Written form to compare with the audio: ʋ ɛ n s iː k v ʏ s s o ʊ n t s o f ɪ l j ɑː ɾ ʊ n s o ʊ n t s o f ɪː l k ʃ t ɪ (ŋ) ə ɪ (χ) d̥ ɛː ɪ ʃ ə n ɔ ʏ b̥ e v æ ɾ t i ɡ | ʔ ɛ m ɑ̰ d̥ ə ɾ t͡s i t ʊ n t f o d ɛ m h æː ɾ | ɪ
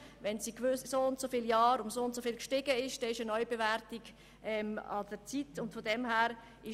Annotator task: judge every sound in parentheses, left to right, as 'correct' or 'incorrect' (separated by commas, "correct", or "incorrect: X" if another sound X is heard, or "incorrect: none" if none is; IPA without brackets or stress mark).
incorrect: ɡ, incorrect: ʃ